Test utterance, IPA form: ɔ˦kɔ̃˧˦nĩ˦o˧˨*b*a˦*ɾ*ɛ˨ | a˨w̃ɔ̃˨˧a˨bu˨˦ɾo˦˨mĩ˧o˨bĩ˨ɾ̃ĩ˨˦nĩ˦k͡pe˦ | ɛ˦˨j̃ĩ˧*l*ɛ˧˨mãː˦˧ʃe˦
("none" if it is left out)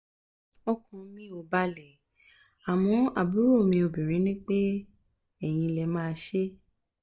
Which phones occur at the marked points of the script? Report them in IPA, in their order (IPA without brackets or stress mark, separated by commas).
b, l, l